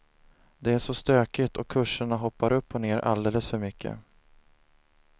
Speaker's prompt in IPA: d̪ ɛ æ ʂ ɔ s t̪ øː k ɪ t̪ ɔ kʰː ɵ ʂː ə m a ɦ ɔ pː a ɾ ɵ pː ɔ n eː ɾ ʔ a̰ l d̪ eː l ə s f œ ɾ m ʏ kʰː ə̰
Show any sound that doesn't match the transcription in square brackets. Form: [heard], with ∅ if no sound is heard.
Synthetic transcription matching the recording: d̪ ɛ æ ʂ ɔ s t̪ øː k ɪ t̪ ɔ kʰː ɵ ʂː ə [ɳ] a ɦ ɔ pː a ɾ ɵ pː ɔ n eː ɾ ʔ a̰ l d̪ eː l ə s f œ ɾ m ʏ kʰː ə̰